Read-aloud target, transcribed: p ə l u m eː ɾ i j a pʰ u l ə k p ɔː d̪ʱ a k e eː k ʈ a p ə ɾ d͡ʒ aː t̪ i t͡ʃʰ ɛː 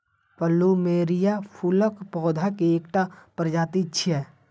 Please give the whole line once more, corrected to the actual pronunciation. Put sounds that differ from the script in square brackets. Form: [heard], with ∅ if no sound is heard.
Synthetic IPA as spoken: p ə l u m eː ɾ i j a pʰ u l ə k p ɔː d̪ʱ a k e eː k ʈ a p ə ɾ d͡ʒ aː t̪ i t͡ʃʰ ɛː